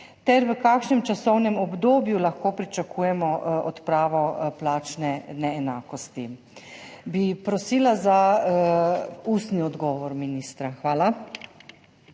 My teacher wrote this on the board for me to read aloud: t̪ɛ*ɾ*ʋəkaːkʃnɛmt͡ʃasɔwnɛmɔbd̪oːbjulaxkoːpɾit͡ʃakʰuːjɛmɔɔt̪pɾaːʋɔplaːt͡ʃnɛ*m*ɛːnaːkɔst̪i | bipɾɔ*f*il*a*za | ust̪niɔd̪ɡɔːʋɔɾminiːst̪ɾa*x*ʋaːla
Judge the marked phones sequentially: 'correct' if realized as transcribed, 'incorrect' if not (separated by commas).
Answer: correct, incorrect, incorrect, correct, correct